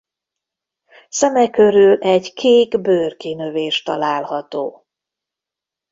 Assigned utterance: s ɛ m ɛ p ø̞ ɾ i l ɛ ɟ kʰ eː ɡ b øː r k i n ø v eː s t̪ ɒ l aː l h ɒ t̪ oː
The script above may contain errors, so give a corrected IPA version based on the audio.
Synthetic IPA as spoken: s ɛ m ɛ k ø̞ ɾ y l ɛ ɟ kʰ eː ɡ b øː r k i n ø v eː ʃ t̪ ɒ l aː l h ɒ t̪ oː